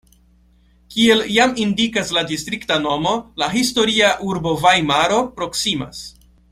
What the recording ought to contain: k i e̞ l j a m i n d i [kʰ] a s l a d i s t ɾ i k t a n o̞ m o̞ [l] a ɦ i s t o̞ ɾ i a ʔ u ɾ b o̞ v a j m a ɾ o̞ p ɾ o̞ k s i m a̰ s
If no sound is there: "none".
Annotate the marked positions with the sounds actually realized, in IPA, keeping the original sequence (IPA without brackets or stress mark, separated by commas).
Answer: k, l